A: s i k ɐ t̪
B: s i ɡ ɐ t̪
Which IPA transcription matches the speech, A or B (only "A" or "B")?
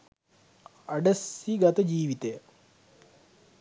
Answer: B